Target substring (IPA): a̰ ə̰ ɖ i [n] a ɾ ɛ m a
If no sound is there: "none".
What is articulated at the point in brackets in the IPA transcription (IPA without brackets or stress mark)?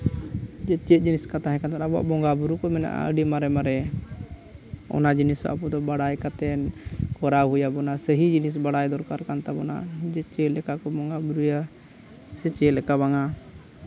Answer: m